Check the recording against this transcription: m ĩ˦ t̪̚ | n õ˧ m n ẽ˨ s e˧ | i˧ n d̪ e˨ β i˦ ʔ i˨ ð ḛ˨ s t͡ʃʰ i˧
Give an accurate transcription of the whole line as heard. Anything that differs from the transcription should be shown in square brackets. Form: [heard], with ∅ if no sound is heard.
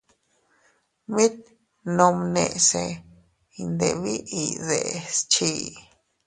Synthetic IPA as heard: m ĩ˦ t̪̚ | n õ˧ m n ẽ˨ s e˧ | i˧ n d̪ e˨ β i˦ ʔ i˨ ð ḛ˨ s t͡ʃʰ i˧